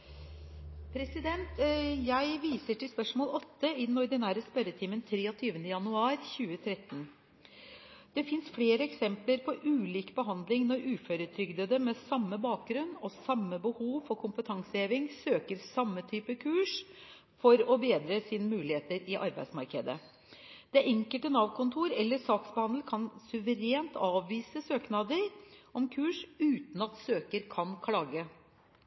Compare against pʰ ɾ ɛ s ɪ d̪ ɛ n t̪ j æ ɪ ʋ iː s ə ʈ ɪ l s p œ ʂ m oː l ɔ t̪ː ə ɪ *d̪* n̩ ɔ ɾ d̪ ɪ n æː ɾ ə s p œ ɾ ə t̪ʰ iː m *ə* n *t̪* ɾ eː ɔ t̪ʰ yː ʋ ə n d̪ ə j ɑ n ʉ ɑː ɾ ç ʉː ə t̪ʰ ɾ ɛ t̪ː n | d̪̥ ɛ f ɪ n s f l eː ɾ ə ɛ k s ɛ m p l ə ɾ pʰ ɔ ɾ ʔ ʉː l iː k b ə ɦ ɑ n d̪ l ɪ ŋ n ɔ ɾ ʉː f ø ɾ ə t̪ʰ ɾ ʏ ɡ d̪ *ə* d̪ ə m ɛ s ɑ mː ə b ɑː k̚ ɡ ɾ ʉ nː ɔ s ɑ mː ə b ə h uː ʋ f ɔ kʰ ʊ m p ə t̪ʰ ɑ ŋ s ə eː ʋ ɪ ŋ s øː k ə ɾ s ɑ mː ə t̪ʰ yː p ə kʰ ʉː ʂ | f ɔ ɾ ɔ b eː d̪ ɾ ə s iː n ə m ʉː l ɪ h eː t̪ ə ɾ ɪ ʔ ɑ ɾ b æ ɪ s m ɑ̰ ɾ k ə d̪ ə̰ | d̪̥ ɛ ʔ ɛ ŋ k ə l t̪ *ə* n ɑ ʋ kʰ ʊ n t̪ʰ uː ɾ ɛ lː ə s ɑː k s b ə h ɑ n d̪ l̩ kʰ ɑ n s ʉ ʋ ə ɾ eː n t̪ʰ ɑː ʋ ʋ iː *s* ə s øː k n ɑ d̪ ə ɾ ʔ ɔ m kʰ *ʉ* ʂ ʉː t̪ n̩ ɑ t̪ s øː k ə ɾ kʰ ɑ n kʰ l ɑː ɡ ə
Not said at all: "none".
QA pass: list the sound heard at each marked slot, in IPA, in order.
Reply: d̪, ə, t̪ʰ, ə, ə, s, ʉː

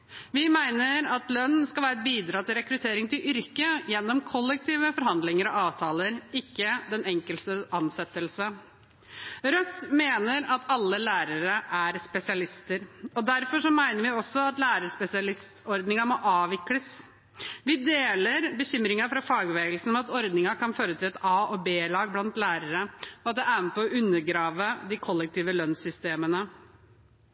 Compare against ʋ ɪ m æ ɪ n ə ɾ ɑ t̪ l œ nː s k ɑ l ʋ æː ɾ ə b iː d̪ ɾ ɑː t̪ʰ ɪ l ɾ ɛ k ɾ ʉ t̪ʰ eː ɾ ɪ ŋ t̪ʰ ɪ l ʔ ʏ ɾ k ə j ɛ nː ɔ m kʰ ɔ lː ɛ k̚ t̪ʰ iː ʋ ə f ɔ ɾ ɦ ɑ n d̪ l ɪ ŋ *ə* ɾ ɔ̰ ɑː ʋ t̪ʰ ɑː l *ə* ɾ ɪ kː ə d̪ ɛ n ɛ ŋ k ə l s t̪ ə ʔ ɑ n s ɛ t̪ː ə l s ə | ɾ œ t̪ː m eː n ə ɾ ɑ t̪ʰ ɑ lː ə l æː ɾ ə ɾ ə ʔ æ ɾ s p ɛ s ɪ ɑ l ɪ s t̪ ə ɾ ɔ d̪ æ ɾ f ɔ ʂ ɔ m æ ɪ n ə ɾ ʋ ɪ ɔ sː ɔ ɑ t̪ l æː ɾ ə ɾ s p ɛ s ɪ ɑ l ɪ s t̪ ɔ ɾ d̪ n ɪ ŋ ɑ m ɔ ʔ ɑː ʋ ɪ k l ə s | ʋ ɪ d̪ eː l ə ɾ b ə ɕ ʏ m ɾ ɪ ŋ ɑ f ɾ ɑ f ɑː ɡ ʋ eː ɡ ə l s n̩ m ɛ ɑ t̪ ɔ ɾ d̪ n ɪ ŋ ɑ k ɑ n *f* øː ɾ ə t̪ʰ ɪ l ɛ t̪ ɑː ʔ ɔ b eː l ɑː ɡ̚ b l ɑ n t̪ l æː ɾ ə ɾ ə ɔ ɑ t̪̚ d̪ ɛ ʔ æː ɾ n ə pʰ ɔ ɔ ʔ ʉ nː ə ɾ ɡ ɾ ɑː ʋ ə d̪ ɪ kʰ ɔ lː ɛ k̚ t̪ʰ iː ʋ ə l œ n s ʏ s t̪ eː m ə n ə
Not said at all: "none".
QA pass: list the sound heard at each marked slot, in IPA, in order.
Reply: ə, ə, f

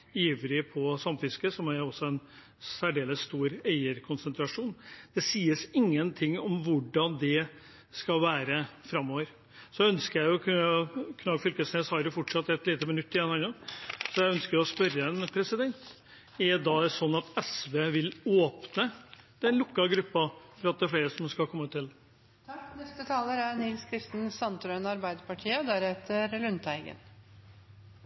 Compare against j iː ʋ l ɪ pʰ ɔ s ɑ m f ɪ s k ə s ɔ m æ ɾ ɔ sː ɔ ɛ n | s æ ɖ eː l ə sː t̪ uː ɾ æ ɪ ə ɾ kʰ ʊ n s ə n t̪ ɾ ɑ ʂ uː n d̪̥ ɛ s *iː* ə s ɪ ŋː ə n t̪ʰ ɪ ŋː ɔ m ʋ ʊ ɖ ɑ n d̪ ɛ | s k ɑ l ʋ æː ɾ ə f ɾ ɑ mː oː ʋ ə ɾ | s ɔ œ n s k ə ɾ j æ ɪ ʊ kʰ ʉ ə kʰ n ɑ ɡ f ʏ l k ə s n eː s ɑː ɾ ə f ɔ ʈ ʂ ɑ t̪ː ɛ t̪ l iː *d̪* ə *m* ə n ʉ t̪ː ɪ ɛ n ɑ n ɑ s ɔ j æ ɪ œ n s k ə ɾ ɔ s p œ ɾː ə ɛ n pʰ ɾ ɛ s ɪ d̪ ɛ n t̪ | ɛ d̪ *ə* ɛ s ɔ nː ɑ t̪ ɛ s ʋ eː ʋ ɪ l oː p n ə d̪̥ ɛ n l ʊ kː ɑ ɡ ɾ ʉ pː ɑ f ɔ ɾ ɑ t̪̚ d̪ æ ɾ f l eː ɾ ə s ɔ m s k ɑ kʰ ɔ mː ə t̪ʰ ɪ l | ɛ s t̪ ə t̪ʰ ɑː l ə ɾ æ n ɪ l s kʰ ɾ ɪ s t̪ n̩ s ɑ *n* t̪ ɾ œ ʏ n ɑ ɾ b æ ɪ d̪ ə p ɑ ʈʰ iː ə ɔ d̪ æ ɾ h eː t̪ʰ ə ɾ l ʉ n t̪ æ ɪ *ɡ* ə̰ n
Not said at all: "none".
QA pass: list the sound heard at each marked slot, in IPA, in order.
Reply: iː, t̪, m, ɑ, n, ɡ

